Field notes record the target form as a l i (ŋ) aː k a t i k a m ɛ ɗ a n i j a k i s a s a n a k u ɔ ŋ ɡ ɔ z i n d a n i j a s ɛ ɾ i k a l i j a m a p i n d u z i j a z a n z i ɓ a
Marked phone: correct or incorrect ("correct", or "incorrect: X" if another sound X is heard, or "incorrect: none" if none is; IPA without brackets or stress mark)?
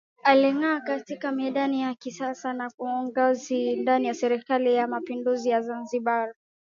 correct